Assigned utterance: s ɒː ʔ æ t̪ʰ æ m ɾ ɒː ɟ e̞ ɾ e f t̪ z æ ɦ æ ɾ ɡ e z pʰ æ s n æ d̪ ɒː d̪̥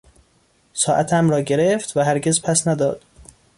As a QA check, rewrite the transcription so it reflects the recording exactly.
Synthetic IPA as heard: s ɒː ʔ æ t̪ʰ æ m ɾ ɒː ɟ e̞ ɾ e f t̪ v æ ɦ æ ɾ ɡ e z pʰ æ s n æ d̪ ɒː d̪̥